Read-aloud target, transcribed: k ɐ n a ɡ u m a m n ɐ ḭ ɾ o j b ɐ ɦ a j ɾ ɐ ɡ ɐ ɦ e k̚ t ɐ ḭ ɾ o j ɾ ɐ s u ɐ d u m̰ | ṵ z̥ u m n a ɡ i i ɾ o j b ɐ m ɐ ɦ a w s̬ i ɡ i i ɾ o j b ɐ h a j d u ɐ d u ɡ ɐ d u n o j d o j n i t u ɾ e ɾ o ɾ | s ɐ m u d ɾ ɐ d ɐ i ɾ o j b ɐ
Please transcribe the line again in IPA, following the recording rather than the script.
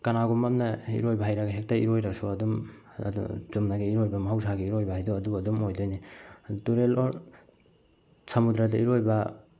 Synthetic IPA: k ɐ n a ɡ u m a m n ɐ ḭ ɾ o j b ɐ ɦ a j ɾ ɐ ɡ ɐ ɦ e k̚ t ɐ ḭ ɾ o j ɾ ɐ s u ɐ d u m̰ | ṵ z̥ u m n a ɡ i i ɾ o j b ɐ m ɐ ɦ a w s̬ a ɡ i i ɾ o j b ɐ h a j d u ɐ d u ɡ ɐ d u m o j d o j n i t u ɾ e l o ɾ | s ɐ m u d ɾ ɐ d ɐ i ɾ o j b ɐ